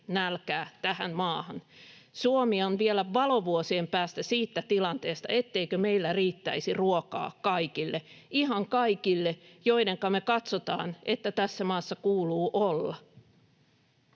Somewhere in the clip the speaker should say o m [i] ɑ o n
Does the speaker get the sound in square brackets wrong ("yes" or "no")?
no